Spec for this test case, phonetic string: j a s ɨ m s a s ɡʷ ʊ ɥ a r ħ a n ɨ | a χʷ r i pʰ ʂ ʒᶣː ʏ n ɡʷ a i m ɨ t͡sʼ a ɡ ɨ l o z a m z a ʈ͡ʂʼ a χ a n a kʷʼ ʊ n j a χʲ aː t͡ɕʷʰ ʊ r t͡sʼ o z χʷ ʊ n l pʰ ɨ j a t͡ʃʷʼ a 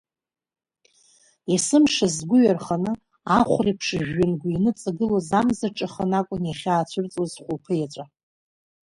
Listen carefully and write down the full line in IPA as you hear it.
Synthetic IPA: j a s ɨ m ʂ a z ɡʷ ʊ ɥ a r χ a n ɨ | a χʷ r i pʰ ʂ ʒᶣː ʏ n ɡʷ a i n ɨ t͡sʼ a ɡ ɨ l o z a m z a ʈ͡ʂʼ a χ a n a kʷʼ ʊ n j a χʲ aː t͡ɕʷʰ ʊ r t͡sʼ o z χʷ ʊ l pʰ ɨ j a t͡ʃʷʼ a